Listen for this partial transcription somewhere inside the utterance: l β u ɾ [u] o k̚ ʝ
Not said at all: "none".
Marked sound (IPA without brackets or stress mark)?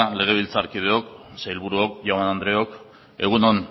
u